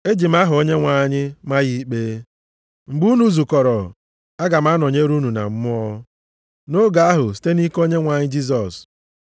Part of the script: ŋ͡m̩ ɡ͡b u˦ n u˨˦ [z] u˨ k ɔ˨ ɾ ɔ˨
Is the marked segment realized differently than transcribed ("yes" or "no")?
no